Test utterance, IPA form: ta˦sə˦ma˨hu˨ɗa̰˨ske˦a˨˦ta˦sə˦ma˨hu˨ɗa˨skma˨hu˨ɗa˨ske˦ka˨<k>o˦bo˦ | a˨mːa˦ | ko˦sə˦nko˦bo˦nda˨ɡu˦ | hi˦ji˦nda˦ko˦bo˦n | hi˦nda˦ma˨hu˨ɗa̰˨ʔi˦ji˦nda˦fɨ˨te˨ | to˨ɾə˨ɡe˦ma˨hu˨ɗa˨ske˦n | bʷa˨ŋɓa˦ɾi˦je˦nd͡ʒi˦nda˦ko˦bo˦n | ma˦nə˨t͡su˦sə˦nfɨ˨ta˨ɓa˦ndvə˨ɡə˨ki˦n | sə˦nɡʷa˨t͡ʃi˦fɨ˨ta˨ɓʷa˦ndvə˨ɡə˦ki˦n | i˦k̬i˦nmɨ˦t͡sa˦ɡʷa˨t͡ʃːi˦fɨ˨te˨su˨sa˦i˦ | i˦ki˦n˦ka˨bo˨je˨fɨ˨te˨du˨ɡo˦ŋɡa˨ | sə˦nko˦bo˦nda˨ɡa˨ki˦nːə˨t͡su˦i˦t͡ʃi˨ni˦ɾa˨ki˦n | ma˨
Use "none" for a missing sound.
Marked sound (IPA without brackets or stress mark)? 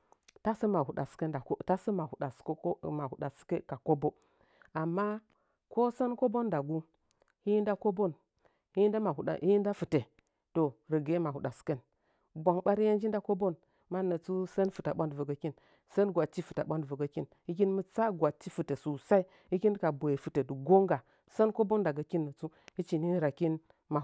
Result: k